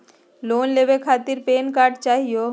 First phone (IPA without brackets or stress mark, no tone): l